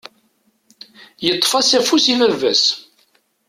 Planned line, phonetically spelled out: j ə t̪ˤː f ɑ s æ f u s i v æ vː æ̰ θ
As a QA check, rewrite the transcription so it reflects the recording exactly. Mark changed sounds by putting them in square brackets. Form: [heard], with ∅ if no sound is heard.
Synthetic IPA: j ə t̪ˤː f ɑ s æ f u s i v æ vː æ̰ [s]

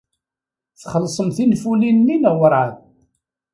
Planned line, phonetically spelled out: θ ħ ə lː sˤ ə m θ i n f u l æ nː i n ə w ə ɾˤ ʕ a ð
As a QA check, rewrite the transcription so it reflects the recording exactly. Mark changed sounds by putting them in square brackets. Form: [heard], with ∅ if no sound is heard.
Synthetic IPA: θ [χ] ə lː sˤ ə m θ i n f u l [i] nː i n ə w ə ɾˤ ʕ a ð

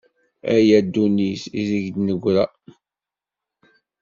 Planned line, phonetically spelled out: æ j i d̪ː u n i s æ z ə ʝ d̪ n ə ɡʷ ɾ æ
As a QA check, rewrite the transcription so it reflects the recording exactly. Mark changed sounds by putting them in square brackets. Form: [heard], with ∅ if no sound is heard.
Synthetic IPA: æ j [æ] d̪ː u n i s [i] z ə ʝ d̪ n ə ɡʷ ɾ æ

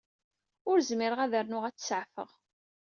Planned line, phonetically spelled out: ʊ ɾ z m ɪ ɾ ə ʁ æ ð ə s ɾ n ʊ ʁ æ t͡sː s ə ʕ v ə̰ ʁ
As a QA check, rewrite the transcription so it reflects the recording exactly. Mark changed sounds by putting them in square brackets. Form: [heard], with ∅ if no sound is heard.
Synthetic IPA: ʊ ɾ z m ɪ ɾ ə ʁ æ ð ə [∅] ɾ n ʊ ʁ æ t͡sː s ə ʕ [f] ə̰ ʁ

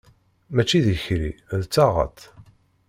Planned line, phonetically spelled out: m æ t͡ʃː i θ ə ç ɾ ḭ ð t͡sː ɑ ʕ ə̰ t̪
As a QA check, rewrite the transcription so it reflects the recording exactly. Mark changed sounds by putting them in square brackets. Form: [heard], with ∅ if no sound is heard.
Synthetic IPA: m æ t͡ʃː i [ð] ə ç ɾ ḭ ð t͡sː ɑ [ʁ] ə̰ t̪

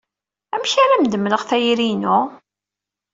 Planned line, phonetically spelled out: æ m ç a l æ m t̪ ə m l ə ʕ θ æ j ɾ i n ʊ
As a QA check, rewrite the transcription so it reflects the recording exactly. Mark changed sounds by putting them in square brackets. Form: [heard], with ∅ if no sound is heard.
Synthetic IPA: æ m ç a [ɾ] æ m [d̪] ə m l ə [ʁ] θ æ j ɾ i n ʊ

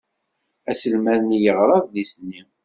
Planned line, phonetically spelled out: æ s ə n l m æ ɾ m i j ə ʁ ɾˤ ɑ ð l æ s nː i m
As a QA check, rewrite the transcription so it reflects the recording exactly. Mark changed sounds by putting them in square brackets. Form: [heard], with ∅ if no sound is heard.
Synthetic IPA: æ s ə [∅] l m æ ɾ [n] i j ə ʁ ɾˤ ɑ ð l [i] s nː i m

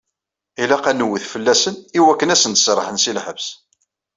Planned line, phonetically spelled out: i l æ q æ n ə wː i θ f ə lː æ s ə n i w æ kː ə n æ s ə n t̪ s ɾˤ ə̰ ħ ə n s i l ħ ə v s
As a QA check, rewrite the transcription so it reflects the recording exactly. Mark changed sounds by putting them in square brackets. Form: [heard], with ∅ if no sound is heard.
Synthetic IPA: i l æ q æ n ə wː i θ f ə lː æ s ə n i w æ kː ə n æ s ə n t̪ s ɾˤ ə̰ ħ ə n s i l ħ ə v s

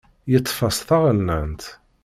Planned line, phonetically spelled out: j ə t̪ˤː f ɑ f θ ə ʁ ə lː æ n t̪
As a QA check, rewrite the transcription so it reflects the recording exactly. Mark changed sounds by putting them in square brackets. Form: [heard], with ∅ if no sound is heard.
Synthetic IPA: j ə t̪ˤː f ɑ [s] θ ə ʁ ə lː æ n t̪

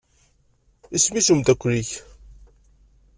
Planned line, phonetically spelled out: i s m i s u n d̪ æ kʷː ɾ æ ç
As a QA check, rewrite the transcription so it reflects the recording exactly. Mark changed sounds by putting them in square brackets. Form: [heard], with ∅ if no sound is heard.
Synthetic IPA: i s m i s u [m] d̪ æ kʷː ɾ [i] ç

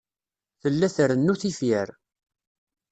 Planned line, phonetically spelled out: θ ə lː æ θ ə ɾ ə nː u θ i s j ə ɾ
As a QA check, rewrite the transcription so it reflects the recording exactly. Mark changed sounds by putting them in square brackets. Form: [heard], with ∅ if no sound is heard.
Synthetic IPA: θ ə lː æ θ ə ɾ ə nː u θ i [f] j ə ɾ

